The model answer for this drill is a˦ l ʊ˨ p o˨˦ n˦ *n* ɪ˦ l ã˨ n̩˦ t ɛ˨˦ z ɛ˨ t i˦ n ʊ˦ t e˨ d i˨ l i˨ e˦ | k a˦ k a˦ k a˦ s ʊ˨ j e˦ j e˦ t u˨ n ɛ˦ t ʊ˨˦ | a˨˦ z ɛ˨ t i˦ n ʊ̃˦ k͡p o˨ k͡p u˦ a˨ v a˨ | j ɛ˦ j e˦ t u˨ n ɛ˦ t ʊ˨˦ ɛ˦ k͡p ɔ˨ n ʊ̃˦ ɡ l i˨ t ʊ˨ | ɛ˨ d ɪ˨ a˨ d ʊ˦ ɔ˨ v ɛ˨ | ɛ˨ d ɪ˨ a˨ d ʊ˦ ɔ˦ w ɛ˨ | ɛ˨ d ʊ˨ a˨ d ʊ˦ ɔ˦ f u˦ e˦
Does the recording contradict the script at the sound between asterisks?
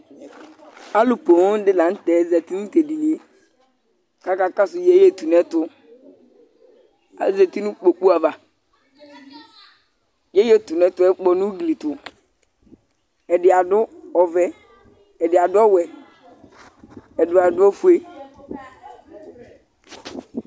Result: yes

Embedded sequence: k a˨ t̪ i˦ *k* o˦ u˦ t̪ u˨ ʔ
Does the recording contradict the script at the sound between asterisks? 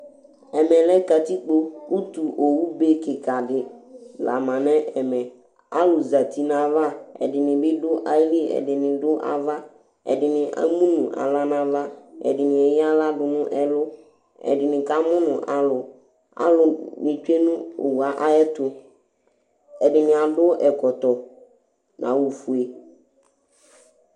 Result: yes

